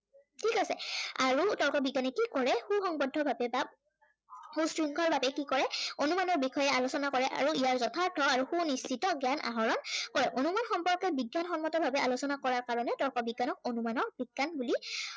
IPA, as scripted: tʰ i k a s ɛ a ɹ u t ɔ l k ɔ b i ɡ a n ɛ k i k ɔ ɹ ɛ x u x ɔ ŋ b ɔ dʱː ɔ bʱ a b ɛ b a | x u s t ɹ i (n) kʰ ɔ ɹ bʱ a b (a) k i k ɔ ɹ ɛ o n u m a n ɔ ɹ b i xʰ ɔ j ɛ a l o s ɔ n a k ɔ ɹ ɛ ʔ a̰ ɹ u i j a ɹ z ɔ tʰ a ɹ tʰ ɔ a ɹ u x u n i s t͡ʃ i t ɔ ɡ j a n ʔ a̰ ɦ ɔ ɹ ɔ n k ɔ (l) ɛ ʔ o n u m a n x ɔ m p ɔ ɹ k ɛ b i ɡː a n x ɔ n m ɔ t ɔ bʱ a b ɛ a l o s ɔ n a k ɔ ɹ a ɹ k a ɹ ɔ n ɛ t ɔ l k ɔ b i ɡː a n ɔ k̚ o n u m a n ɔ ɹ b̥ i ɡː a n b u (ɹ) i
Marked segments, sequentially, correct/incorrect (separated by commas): incorrect, incorrect, incorrect, incorrect